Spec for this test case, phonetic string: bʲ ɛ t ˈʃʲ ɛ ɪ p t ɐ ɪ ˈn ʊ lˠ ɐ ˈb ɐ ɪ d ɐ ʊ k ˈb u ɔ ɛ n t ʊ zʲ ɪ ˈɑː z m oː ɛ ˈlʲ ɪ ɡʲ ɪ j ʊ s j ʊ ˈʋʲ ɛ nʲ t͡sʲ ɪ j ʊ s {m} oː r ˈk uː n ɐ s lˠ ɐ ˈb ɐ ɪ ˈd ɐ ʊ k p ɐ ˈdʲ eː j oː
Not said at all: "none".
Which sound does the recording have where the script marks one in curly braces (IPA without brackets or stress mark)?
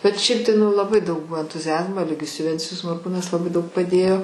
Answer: m